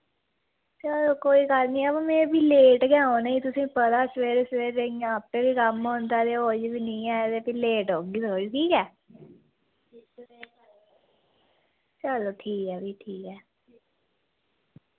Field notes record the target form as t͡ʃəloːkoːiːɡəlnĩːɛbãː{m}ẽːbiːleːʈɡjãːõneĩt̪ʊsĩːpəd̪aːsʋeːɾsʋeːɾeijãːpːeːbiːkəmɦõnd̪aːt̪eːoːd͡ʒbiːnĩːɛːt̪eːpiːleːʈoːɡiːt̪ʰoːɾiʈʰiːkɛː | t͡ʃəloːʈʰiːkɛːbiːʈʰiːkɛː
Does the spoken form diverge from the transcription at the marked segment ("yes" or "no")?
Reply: no